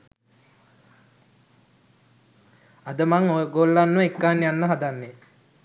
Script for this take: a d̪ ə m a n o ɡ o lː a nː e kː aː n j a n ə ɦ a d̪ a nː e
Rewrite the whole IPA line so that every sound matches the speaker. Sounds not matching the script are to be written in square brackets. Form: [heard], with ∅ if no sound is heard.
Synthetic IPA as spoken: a d̪ ə m a [ŋ] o ɡ o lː a nː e kː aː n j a [nː] ə ɦ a d̪ a nː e